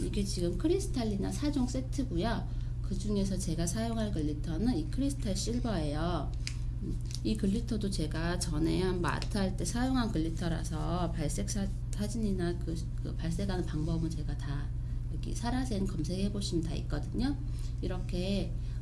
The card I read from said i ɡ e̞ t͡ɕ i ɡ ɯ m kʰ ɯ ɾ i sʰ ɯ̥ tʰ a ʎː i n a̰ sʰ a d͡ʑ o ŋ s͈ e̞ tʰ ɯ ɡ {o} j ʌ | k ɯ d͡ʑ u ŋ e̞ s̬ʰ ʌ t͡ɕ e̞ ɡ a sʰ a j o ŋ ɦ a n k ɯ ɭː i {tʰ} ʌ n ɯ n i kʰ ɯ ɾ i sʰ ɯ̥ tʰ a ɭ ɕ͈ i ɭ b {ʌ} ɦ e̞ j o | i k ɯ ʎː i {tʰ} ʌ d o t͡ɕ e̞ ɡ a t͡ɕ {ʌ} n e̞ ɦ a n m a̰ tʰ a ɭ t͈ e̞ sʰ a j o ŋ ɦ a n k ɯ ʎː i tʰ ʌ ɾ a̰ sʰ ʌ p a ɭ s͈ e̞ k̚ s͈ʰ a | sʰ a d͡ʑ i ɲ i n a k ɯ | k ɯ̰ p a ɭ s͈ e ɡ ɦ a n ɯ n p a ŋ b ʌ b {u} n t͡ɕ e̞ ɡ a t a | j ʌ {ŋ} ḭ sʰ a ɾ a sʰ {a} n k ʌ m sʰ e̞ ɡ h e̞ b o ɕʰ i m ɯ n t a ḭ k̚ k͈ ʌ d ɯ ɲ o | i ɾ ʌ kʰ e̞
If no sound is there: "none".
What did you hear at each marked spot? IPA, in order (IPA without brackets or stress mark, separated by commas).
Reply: u, tʰ, ʌ, tʰ, ʌ, ɯ, ɡ, e